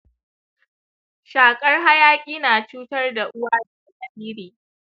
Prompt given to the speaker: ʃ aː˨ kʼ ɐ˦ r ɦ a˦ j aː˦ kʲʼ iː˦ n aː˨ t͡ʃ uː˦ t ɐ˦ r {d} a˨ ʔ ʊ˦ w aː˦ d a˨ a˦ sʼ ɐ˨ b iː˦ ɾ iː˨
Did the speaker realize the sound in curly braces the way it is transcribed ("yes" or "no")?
yes